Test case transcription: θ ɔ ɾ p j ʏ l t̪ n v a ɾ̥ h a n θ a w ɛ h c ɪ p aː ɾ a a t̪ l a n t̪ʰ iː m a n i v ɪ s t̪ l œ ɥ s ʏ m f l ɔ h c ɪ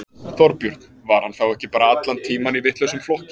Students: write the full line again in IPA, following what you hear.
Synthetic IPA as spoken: θ ɔ ɾ p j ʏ ɾ t̪ n v a ɾ̥ h a n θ a w ɛ h c ɪ p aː ɾ a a t̪ l a n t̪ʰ iː m a n i v ɪ h t̪ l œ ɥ s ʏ m f l ɔ h c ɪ